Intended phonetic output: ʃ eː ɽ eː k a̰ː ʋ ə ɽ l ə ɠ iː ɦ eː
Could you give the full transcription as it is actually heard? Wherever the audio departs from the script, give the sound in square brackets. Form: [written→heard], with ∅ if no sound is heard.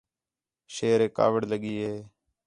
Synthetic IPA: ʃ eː [ɽ→ɾ] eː k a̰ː ʋ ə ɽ l ə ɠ iː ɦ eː